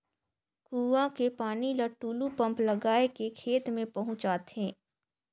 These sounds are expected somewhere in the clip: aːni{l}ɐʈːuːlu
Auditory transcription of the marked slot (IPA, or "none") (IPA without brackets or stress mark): l